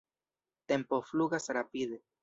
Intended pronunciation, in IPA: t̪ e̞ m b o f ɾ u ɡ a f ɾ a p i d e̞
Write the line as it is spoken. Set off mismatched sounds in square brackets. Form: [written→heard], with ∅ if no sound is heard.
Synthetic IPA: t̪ e̞ m [b→p] o f [ɾ→l] u ɡ a [f→s] ɾ a p i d e̞

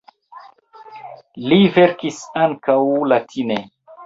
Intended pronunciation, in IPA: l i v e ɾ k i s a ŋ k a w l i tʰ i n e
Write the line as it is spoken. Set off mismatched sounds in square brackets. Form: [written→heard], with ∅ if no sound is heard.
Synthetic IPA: l i v e ɾ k i s a ŋ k a w l [i→a] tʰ i n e

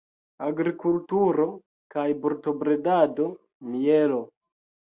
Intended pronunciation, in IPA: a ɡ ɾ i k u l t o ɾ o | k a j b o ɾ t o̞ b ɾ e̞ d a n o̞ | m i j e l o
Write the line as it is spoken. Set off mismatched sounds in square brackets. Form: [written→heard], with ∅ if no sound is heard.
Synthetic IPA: a ɡ ɾ i k u l t [o→u] ɾ o | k a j b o ɾ t o̞ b ɾ e̞ d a [n→d] o̞ | m i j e l o

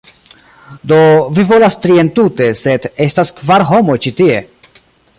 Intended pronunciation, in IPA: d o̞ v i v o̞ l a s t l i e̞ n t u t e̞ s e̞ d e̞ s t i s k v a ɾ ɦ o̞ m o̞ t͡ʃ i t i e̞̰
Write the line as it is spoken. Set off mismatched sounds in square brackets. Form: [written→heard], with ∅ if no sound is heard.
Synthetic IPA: d o̞ v i v o̞ l a s t [l→ɾ] i e̞ n t u t e̞ s e̞ d e̞ s t [i→a] s k v a ɾ ɦ o̞ m o̞ t͡ʃ i t i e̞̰

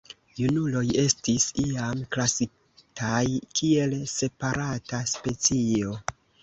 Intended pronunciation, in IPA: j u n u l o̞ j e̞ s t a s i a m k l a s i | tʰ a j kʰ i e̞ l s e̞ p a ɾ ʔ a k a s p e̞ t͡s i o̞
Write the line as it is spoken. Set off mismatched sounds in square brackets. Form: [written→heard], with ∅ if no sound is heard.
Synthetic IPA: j u n u l o̞ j e̞ s t [a→i] s i a m k l a s i | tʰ a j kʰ i e̞ l s e̞ p a ɾ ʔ a [k→t] a s p e̞ t͡s i o̞

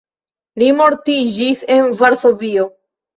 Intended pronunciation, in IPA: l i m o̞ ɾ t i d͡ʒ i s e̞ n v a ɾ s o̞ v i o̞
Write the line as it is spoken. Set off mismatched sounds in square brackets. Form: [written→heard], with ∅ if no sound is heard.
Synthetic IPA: l i m o̞ ɾ t i d͡ʒ i s e̞ n v a ɾ s o̞ v i o̞

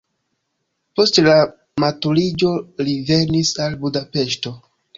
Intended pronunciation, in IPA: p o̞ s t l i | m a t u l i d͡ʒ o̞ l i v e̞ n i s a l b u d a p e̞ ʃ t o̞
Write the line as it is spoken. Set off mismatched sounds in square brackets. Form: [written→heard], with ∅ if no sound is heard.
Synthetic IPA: p o̞ s t l [i→a] | m a t u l i d͡ʒ o̞ l i v e̞ n i s a l b u d a p e̞ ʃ t o̞

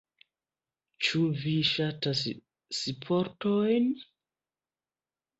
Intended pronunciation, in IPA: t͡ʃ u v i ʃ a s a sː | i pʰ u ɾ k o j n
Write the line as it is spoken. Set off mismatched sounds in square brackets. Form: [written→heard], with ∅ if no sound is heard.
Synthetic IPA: t͡ʃ u v i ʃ a [s→t] a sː | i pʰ [u→o] ɾ [k→t] o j n

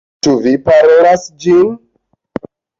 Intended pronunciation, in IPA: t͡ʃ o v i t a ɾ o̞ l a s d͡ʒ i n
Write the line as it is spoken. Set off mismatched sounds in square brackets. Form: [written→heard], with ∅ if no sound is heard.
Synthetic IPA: t͡ʃ [o→u] v i [t→p] a ɾ o̞ l a s d͡ʒ i n

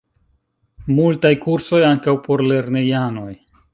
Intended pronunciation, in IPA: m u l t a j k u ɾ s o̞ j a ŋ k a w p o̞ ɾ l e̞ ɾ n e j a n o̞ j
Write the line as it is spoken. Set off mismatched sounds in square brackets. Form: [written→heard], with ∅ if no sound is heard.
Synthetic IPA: m u l t a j k u ɾ s o̞ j a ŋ k a w p o̞ ɾ l e̞ ɾ n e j a n o̞ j

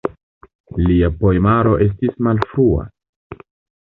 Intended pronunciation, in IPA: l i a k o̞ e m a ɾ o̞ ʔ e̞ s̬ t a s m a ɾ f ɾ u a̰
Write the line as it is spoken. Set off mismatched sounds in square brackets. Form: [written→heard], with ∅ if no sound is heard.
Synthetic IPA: l i a [k→p] o̞ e m a ɾ o̞ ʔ e̞ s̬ t [a→i] s m a [ɾ→l] f ɾ u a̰

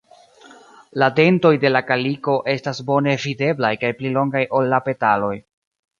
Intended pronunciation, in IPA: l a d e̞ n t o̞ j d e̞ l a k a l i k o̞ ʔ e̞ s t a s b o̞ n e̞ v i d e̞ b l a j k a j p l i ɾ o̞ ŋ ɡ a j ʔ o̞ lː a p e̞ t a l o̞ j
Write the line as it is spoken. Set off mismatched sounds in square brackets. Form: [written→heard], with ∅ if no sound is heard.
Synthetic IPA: l a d e̞ n t o̞ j d e̞ l a k a l i k o̞ ʔ e̞ s t a s b o̞ n e̞ v i d e̞ b l a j k a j p l i [ɾ→l] o̞ ŋ ɡ a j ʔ o̞ lː a p e̞ t a l o̞ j

